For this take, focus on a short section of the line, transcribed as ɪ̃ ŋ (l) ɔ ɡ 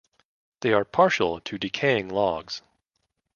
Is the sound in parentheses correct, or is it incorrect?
correct